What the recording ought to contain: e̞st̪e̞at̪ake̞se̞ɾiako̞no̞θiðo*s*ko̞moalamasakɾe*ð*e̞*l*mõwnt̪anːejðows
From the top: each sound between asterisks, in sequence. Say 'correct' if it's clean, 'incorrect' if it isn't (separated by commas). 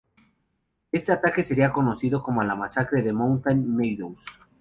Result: incorrect, correct, incorrect